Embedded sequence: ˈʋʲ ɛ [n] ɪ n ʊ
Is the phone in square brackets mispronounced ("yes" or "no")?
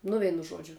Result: yes